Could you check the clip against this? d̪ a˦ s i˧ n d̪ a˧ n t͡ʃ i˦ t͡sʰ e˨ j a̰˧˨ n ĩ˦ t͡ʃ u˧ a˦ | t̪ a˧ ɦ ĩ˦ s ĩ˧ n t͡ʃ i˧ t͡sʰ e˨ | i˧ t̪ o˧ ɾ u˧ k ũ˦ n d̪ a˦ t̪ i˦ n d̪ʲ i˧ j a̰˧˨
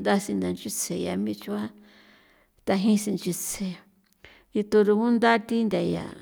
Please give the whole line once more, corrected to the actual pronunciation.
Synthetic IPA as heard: d̪ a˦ s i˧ n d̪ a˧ n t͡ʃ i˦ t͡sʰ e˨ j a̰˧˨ m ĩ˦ t͡ʃ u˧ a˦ | t̪ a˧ ɦ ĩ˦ s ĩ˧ n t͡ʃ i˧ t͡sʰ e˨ | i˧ t̪ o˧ ɾ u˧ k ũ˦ n d̪ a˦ t̪ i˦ n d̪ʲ a˧ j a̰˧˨